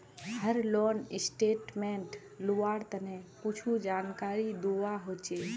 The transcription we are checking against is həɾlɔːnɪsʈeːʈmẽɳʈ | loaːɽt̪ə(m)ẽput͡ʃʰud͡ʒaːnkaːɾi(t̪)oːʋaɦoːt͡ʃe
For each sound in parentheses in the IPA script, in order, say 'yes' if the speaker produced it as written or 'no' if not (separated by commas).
no, no